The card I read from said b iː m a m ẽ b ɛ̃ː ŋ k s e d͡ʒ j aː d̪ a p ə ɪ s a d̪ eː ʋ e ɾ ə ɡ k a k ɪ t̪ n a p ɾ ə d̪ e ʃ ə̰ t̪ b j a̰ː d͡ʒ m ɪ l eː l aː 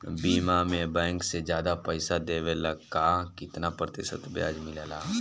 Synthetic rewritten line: b iː m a m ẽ b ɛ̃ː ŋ k s e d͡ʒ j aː d̪ a p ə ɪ s a d̪ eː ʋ e l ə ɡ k a k ɪ t̪ n a p ɾ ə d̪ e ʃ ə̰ t̪ b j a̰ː d͡ʒ m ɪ l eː l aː